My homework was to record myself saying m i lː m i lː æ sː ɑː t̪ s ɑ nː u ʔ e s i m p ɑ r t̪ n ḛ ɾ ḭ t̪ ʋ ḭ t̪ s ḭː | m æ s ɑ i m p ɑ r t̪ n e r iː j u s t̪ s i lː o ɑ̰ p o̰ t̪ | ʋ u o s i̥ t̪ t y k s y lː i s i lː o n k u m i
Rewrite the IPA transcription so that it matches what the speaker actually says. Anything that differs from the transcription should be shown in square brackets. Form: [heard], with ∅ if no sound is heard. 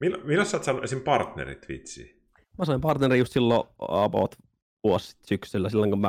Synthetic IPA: m i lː m i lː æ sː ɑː t̪ s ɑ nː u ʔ e s i m p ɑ r t̪ n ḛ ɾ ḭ t̪ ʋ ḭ t̪ s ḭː | m æ s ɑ i m p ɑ r t̪ n e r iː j u s t̪ s i lː o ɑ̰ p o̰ t̪ | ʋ u o s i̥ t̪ [s] y k s y lː [æ] s i lː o [ŋ] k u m [æ]